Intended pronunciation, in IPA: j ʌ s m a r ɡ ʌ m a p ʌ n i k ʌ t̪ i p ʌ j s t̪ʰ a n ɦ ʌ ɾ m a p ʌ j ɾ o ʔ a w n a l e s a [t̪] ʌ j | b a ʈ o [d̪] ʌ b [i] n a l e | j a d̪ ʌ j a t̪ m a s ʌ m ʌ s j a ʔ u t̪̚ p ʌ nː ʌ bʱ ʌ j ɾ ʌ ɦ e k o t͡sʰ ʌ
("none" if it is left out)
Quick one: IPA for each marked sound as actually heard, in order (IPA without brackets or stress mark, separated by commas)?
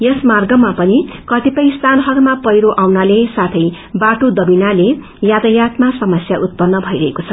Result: t̪ʰ, d̪, i